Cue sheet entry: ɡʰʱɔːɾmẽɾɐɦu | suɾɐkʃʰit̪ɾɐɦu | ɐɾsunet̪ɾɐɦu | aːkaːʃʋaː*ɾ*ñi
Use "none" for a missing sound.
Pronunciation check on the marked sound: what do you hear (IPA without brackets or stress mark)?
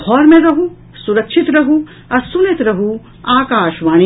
none